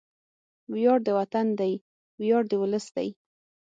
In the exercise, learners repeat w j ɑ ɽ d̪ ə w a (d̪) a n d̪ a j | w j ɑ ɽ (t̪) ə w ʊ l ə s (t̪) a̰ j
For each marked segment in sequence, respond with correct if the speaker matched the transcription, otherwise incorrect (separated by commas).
incorrect, incorrect, incorrect